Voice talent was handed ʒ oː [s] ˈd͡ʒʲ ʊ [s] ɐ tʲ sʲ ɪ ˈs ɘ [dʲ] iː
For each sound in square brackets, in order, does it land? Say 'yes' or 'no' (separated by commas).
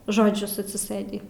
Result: no, yes, yes